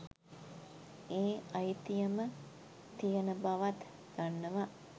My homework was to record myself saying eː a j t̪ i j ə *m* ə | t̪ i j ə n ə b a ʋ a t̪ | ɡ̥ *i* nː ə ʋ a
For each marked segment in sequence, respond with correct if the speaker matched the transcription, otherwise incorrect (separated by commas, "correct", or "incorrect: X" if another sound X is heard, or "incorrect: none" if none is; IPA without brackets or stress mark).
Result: correct, incorrect: a